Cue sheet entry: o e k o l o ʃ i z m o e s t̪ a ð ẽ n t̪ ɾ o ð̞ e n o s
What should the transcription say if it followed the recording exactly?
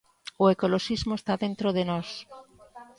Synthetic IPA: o e k o l o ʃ i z m o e s t̪ a ð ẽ n t̪ ɾ o ð̞ e n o s